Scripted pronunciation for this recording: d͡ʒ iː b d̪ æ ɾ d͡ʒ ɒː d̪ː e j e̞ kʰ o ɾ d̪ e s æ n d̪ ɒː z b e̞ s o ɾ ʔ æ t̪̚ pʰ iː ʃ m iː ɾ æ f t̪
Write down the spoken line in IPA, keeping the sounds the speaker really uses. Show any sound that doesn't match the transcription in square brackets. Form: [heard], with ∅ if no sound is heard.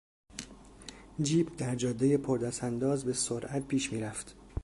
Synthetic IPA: d͡ʒ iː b d̪ æ ɾ d͡ʒ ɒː d̪ː e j e̞ [pʰ] o ɾ d̪ [æ] s æ n d̪ ɒː z b e̞ s o ɾ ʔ æ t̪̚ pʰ iː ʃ m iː ɾ æ f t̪